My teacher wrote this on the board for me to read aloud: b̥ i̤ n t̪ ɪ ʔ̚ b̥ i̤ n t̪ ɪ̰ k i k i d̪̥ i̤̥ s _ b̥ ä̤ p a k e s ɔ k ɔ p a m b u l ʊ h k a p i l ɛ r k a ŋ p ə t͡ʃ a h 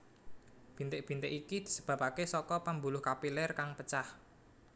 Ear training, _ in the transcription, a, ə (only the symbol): ə